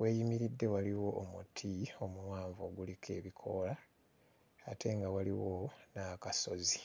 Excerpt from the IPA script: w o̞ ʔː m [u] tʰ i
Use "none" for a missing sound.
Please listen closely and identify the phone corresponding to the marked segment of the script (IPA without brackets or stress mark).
u